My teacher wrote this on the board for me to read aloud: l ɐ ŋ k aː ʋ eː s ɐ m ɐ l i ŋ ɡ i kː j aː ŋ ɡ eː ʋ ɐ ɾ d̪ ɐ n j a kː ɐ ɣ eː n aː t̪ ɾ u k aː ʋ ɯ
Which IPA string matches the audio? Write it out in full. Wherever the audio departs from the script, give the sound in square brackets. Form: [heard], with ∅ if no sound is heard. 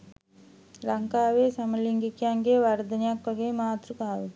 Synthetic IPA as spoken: l ɐ ŋ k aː ʋ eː s ɐ m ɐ l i ŋ ɡ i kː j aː ŋ ɡ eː ʋ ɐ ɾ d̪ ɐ n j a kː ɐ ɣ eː [m] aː t̪ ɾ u k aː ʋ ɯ